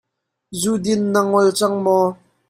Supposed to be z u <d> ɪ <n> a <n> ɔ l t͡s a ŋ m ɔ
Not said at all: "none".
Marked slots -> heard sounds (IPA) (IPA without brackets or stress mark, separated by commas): d, nː, ŋ